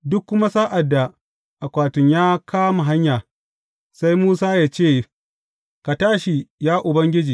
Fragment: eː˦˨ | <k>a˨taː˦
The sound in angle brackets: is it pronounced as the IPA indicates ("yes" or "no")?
yes